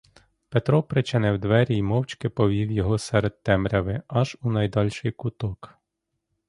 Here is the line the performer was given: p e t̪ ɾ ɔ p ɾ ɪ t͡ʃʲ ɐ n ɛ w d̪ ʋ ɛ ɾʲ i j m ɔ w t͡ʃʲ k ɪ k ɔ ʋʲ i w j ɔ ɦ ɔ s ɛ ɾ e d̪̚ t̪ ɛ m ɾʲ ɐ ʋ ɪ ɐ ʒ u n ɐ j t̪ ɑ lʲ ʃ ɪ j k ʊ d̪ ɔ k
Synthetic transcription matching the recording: p e t̪ ɾ ɔ p ɾ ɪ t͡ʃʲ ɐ n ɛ w d̪ ʋ ɛ ɾʲ i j m ɔ w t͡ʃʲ k ɪ p ɔ ʋʲ i w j ɔ ɦ ɔ s ɛ ɾ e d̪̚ t̪ ɛ m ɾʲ ɐ ʋ ɪ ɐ ʒ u n ɐ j d̪ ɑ lʲ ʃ ɪ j k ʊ t̪ ɔ k